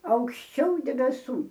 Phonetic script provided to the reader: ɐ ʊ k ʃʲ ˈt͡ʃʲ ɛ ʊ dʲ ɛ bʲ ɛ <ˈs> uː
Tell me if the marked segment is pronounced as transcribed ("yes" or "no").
yes